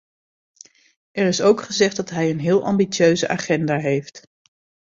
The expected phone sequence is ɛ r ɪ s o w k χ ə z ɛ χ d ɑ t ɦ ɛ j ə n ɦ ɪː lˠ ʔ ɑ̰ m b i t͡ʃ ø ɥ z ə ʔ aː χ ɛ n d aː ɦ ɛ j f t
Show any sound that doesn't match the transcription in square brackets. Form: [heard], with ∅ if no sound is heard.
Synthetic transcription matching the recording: ɛ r ɪ s o w k χ ə z ɛ χ d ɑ t ɦ ɛ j ə n ɦ ɪː lˠ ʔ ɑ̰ m b i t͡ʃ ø ɥ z ə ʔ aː χ ɛ n d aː ɦ [e] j f t